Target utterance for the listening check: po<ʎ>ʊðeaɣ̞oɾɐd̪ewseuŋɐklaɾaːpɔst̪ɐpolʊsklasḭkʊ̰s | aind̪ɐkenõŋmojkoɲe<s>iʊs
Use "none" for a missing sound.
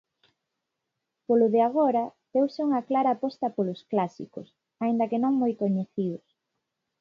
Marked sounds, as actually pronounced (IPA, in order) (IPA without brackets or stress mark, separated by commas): l, θ